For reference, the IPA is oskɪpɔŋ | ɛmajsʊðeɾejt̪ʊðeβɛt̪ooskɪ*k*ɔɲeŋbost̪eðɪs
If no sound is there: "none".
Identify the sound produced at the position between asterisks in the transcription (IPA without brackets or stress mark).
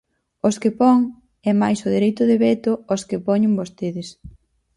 p